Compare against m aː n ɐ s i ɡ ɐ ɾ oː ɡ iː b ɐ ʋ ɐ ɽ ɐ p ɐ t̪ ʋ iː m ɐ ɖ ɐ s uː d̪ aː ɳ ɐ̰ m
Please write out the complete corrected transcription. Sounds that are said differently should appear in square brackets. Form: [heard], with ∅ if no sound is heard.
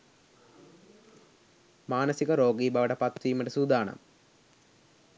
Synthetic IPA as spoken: m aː n ɐ s i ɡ ɐ ɾ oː ɡ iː b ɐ ʋ ɐ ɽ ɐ p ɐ t̪ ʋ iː m ɐ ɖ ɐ s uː d̪ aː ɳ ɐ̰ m